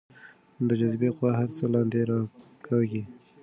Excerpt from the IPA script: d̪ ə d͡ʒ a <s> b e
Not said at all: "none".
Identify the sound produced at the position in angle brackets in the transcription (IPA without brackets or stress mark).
z